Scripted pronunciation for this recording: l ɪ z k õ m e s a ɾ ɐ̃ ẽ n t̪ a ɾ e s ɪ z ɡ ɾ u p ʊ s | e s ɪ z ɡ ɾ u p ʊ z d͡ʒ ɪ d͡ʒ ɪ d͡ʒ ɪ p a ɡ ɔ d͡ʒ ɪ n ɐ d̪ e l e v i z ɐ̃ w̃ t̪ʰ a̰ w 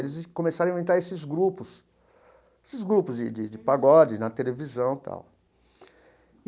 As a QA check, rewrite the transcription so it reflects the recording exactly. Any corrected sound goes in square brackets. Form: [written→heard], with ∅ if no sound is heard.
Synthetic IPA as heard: l ɪ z k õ m e s a ɾ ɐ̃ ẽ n t̪ a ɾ e s ɪ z ɡ ɾ u p ʊ s | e s ɪ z ɡ ɾ u p ʊ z d͡ʒ ɪ d͡ʒ ɪ d͡ʒ ɪ p a ɡ ɔ d͡ʒ ɪ n ɐ [d̪→t̪] e l e v i z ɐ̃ w̃ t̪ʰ a̰ w